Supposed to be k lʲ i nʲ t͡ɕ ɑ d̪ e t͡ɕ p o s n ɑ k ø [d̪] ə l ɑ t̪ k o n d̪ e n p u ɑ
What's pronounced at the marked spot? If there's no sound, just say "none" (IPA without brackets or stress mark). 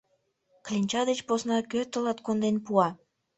t̪